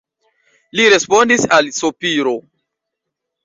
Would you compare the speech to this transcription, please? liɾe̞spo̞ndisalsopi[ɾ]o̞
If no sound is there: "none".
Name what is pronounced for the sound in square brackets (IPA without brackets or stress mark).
ɾ